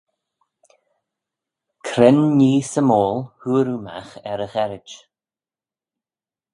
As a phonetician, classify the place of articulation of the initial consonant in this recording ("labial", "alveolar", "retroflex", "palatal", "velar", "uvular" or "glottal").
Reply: velar